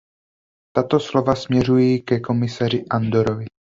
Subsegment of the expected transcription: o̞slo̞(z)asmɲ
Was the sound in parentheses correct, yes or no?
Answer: no